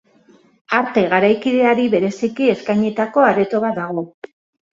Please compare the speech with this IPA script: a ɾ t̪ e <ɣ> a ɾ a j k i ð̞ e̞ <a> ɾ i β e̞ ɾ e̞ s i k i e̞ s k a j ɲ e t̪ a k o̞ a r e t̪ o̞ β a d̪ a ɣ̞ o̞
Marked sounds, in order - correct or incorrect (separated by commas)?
correct, correct